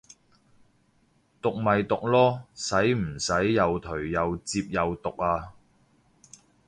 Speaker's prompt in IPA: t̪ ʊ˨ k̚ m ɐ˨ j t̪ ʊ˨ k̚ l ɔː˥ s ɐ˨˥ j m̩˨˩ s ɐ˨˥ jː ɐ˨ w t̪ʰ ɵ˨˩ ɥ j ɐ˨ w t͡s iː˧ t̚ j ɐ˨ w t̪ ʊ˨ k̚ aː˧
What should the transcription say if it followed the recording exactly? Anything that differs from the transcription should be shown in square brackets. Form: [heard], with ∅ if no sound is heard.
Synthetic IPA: t̪ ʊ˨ k̚ m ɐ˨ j t̪ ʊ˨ k̚ l ɔː˥ s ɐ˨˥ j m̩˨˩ s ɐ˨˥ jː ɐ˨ w t̪ʰ ɵ˨˩ ɥ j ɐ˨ w t͡s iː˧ [p̚] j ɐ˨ w t̪ ʊ˨ k̚ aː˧